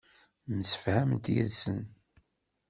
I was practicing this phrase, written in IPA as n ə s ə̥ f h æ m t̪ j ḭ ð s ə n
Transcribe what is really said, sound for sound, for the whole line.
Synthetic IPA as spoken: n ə s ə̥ f h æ m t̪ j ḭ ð s ə n

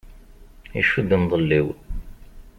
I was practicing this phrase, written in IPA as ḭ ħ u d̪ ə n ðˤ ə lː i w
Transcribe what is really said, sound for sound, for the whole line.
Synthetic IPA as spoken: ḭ ʃ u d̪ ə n ðˤ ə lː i w

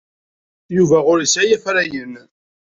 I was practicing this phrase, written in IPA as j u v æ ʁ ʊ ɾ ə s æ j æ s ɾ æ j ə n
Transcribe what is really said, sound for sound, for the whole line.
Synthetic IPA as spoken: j u v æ ʁ ʊ ɾ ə s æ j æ f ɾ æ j ə n

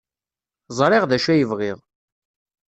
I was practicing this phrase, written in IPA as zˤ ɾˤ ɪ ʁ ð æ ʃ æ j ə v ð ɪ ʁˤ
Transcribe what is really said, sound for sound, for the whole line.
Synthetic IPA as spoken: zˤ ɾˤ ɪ ʁ ð æ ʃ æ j ə v ʁ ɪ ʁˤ

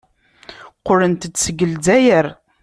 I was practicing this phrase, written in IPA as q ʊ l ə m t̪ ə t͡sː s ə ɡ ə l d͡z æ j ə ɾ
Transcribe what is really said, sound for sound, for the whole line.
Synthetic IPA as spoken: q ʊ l ə n t̪ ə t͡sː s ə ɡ ə l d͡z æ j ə ɾ

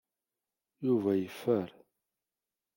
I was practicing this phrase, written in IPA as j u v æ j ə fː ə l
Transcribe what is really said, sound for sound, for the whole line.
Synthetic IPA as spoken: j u v æ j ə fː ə ɾ

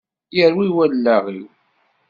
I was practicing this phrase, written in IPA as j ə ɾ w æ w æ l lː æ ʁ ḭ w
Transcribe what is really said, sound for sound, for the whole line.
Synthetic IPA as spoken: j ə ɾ w i w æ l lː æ ʁ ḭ w

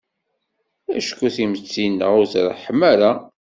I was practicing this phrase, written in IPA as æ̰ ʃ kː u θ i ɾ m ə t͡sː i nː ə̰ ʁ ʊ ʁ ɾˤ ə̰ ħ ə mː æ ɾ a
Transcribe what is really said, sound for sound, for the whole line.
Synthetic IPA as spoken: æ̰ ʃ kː u θ i m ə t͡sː i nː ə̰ ʁ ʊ z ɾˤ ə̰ ħ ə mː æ ɾ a

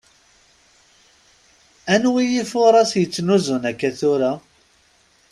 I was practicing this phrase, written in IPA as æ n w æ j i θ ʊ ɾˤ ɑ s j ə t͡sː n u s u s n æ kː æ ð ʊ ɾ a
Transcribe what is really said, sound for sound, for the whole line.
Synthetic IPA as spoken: æ n w i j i f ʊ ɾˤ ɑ s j ə t͡sː n u z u n æ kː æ θ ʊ ɾ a

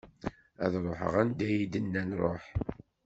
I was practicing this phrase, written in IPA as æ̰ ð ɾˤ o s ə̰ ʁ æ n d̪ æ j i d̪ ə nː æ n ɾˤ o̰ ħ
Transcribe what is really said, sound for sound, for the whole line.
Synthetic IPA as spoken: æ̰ ð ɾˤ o ħ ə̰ ʁ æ n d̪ æ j i d̪ ə nː æ n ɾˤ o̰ ħ

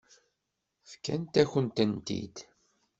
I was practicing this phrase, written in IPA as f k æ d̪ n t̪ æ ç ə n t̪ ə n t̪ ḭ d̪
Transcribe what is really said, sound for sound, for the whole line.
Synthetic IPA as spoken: f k æ n t̪ æ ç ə n t̪ ə n t̪ ḭ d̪

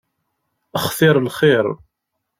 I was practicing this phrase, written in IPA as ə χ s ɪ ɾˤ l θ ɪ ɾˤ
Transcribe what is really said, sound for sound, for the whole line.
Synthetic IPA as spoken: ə χ θ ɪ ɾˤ l χ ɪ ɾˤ

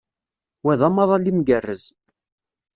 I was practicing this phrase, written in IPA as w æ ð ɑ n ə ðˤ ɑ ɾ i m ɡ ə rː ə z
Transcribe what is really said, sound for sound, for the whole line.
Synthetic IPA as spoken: w æ ð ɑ m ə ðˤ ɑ l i m ɡ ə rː ə z

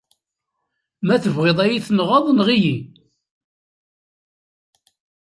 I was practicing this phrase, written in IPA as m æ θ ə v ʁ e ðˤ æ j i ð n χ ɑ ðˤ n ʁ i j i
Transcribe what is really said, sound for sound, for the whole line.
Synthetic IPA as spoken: m æ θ ə v ʁ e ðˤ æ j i θ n ʁ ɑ ðˤ n ʁ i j i

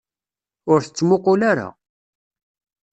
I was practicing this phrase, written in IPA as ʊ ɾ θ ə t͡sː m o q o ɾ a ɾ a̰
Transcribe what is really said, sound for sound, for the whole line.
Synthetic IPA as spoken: ʊ ɾ θ ə t͡sː m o q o l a ɾ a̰

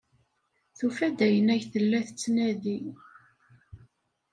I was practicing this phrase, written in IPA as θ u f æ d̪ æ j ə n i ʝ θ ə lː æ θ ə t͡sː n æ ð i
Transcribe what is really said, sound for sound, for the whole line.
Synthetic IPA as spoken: θ u f æ d̪ æ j ə n æ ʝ θ ə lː æ θ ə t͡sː n æ ð i

